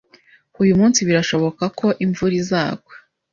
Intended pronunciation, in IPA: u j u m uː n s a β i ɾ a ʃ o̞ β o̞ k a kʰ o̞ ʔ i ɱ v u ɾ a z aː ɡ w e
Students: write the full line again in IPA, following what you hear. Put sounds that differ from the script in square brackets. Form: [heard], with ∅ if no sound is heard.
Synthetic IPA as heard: u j u m uː n s [i] β i ɾ a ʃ o̞ β o̞ k a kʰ o̞ ʔ i ɱ v u ɾ [i] z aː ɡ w e